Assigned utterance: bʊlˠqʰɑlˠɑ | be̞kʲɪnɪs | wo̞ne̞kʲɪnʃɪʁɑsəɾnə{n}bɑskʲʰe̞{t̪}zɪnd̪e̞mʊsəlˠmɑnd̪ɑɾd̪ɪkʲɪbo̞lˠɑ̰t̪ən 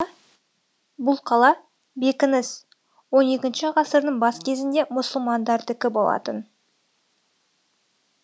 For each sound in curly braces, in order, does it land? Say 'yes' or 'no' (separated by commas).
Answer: no, no